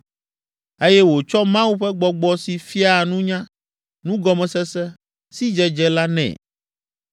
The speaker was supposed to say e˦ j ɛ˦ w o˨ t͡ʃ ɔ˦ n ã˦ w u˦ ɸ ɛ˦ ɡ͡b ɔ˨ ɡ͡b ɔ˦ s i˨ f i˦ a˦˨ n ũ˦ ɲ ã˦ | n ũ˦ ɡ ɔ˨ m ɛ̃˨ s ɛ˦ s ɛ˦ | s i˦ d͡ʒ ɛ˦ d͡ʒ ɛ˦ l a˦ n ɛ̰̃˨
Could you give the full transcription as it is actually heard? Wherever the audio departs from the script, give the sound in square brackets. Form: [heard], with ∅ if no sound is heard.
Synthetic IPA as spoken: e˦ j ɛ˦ w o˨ t͡ʃ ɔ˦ [m] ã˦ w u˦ ɸ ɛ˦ ɡ͡b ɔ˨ ɡ͡b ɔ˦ s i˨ f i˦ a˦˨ n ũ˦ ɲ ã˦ | n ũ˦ ɡ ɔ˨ m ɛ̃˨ s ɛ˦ s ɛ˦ | s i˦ d͡ʒ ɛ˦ d͡ʒ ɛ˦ l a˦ n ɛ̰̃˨